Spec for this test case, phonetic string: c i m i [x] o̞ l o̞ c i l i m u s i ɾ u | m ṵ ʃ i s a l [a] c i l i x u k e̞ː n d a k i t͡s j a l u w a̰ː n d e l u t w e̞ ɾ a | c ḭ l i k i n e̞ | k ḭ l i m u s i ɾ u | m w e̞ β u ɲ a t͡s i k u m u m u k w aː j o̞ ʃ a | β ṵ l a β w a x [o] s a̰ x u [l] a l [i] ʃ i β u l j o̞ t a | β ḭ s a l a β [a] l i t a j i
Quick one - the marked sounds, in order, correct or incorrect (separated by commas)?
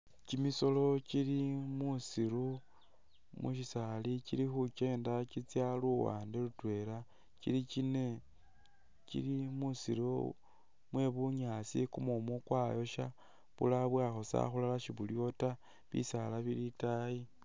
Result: incorrect, incorrect, correct, correct, incorrect, incorrect